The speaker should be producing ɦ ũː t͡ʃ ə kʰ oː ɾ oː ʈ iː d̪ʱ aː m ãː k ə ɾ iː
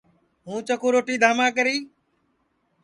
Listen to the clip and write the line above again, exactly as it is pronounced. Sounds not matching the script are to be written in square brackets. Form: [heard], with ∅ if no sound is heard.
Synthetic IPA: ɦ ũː t͡ʃ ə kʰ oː ɾ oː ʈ iː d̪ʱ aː m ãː k ə ɾ iː

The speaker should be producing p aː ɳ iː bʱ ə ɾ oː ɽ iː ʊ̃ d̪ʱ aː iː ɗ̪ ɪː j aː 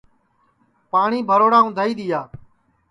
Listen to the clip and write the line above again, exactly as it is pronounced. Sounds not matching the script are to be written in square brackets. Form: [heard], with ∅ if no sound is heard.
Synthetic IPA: p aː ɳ iː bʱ ə ɾ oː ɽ [aː] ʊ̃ d̪ʱ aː iː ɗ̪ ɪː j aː

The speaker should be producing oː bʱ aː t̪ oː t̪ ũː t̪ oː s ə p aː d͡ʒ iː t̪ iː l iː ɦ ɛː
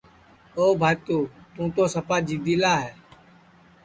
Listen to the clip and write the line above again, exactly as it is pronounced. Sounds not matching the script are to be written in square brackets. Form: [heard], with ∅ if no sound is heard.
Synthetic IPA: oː bʱ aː t̪ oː t̪ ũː t̪ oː s ə p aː d͡ʒ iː [d̪] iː l [aː] ɦ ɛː

